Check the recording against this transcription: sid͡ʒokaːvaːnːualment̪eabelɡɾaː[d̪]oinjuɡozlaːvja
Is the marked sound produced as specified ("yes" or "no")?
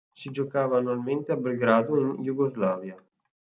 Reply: yes